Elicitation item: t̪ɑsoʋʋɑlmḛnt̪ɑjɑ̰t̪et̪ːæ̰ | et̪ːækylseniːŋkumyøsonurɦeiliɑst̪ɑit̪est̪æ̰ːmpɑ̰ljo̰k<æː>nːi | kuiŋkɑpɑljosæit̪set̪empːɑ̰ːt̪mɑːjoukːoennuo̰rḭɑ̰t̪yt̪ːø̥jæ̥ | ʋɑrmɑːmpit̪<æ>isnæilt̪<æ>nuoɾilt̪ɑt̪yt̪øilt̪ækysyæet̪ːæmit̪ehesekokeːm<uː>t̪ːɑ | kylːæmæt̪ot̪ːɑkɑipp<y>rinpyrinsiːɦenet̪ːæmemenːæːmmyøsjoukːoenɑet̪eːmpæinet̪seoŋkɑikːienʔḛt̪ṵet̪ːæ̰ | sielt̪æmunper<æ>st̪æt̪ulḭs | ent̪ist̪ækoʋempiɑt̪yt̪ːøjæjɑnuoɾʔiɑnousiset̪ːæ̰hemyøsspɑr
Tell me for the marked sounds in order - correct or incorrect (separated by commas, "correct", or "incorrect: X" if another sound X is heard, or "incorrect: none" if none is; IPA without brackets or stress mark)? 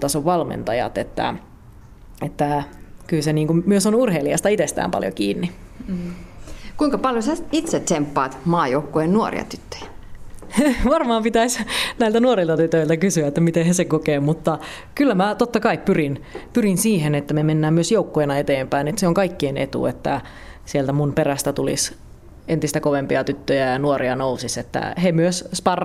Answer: incorrect: iː, correct, correct, incorrect: u, correct, correct